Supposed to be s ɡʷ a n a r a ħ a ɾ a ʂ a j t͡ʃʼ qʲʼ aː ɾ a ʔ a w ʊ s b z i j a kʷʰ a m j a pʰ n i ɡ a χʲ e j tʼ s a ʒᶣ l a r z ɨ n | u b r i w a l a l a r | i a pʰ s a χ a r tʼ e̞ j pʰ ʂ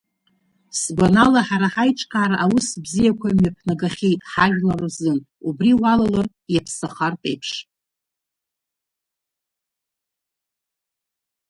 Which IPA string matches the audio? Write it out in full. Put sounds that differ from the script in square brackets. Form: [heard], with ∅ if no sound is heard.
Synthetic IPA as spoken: s ɡʷ a n a [l] a ħ a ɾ a [ħ] a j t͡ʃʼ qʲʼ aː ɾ a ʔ a w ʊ s b z i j a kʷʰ a m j a pʰ n [a] ɡ a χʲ e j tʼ [ħ] a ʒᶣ l a r z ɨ n | u b r i w a l a l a r | [j] a pʰ s a χ a r tʼ e̞ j pʰ ʂ